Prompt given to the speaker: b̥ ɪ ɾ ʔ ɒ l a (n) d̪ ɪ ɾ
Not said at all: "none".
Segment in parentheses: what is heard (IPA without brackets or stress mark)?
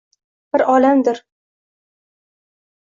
m